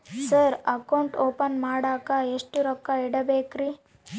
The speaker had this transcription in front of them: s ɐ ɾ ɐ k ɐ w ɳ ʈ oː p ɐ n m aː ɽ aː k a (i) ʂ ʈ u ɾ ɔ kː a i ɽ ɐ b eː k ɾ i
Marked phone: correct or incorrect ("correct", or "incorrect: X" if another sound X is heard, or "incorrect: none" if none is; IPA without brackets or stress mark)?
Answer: incorrect: e